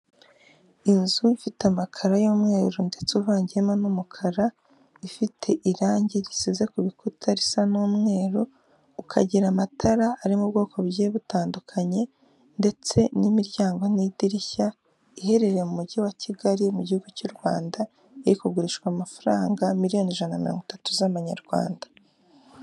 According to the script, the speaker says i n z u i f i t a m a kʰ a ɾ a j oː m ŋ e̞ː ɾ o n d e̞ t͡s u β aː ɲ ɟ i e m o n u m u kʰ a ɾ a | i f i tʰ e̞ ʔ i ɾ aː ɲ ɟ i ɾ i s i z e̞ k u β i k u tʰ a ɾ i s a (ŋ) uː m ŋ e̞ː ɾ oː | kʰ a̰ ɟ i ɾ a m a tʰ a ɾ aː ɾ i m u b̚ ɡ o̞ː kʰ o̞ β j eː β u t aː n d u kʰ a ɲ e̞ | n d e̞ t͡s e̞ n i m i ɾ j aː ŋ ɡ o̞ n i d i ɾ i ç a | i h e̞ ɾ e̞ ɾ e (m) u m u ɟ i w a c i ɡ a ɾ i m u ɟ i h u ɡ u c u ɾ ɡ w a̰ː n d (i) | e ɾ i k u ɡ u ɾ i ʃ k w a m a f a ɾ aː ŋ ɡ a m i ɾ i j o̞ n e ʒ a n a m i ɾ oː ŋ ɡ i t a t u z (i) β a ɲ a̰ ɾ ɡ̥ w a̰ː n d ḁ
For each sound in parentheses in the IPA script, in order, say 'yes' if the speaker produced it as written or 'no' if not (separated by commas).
no, yes, no, no